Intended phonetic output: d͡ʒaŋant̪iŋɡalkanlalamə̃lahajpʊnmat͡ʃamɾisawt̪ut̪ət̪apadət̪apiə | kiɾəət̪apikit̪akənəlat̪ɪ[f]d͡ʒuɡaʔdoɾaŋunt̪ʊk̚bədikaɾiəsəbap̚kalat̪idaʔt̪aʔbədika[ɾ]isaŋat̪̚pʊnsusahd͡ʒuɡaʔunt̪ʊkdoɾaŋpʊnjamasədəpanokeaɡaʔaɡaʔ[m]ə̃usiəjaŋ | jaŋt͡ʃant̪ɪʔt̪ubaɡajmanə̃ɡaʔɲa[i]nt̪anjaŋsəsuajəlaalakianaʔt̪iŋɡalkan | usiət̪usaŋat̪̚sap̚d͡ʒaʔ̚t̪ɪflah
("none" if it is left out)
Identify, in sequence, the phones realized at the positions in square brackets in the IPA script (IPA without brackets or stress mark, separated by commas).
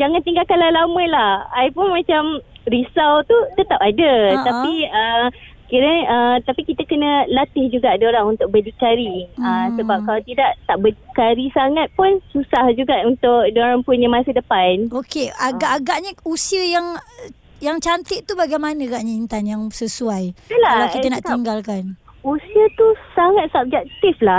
h, ɾ, ɲ, i